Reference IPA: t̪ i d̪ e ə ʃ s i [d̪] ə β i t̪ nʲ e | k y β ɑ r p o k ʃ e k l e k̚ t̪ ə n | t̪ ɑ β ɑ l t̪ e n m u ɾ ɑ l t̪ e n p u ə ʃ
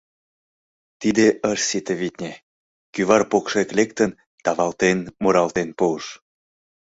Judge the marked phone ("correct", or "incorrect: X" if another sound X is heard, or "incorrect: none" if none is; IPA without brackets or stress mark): incorrect: t̪